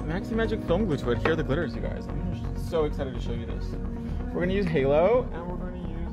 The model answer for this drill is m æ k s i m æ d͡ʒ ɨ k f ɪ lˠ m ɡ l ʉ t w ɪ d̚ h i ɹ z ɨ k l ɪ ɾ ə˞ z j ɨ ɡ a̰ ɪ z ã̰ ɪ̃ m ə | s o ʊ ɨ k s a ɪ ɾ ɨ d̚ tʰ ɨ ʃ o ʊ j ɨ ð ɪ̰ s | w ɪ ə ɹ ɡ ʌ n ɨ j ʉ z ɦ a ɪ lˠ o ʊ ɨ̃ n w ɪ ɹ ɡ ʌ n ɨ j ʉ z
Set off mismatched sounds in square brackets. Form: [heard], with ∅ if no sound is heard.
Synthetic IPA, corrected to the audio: m æ k s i m æ d͡ʒ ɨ k f ɪ lˠ m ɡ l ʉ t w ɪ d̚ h i ɹ [ð] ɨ [ɡ] l ɪ ɾ ə˞ z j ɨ ɡ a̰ ɪ z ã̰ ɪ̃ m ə | s o ʊ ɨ k s a ɪ ɾ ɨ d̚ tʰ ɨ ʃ o ʊ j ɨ ð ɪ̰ s | w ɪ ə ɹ ɡ ʌ n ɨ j ʉ z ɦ [e] ɪ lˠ o ʊ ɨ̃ n w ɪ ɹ ɡ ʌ n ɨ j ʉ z